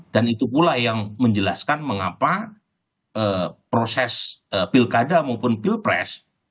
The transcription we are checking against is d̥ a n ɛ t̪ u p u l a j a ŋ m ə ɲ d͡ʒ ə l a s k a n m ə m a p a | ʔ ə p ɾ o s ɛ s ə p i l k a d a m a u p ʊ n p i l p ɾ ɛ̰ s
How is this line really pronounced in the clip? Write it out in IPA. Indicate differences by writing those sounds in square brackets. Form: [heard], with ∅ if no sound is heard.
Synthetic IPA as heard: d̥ a n [i] t̪ u p u l a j a ŋ m ə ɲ d͡ʒ ə l a s k a n m ə [ŋ] a p a | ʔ ə p ɾ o s ɛ s ə p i l k a d a m a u p ʊ n p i l p ɾ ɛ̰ s